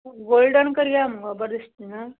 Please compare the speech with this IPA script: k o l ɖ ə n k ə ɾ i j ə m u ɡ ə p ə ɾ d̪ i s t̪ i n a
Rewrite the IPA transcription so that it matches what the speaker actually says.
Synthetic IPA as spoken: ɡ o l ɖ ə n k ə ɾ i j a m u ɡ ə b ə ɾ d̪ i s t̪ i n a